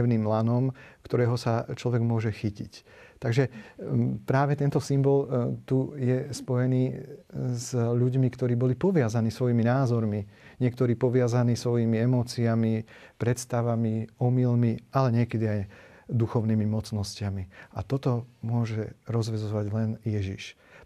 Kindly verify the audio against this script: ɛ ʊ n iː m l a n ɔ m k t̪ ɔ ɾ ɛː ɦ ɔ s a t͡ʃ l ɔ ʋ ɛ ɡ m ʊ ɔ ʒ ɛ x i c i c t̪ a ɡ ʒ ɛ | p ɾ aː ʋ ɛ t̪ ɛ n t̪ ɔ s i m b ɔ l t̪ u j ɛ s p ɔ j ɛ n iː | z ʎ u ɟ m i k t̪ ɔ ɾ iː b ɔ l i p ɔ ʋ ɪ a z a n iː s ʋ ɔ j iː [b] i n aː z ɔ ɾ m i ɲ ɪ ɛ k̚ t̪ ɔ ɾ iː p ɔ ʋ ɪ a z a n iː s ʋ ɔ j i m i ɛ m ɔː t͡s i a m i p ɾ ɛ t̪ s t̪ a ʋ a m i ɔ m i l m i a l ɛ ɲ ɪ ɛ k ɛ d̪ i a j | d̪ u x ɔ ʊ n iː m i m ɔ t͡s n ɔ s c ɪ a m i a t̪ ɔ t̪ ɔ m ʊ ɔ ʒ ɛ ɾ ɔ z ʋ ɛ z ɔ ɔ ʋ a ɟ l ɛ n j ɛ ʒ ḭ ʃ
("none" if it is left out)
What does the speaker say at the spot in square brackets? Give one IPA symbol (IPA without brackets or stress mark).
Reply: m